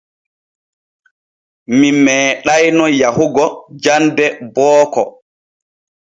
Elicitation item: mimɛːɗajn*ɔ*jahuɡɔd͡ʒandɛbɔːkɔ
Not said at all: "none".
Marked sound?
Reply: ɔ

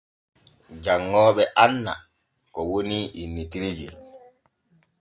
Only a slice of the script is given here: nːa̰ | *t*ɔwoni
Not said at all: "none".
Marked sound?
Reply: k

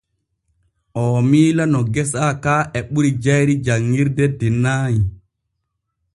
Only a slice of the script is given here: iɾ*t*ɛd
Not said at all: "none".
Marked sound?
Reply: d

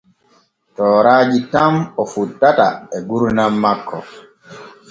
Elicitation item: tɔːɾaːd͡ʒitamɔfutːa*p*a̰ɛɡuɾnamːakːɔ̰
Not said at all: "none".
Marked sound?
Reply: t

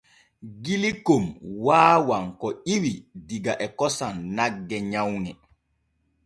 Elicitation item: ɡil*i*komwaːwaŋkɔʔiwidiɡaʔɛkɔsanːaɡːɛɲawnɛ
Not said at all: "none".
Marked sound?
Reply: i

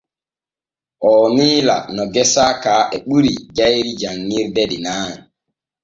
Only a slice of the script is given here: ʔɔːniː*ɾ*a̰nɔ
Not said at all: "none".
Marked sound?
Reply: l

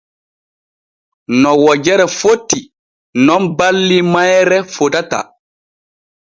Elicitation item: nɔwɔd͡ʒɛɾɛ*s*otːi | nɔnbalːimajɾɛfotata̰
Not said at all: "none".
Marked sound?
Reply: f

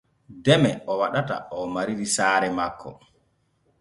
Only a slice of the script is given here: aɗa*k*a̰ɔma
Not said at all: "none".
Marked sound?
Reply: t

